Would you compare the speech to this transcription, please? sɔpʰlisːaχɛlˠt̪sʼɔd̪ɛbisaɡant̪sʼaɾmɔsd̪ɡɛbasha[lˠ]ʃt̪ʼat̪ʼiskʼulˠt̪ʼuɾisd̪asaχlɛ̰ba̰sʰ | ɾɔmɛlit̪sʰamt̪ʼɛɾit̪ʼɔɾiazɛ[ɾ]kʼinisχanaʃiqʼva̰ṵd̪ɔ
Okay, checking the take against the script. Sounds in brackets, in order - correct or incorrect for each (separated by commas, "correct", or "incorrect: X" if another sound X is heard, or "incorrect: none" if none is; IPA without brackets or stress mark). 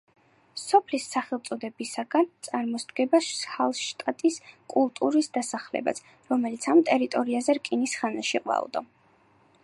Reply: correct, correct